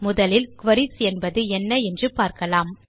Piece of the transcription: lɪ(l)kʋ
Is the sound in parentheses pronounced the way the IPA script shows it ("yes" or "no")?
yes